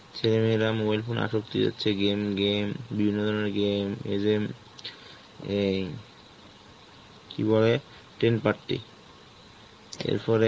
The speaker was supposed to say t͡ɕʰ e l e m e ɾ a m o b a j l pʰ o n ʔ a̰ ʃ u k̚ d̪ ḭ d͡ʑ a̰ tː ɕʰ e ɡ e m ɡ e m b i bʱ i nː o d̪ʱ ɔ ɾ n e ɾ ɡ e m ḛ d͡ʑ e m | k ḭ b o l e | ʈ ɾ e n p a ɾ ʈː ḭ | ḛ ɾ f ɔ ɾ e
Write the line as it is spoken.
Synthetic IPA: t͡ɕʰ e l e m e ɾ a m o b a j l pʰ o n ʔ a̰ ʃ o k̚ t̪ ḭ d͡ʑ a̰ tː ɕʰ e ɡ e m ɡ e m b i bʱ i nː o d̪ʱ ɔ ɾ n e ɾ ɡ e m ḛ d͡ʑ e m | k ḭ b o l e | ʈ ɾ e n p a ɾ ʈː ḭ | ḛ ɾ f ɔ ɾ e